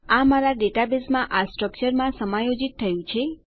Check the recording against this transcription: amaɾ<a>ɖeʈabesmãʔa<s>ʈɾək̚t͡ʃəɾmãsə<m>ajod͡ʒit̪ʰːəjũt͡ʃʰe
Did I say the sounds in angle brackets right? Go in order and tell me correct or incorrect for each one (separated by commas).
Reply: correct, correct, correct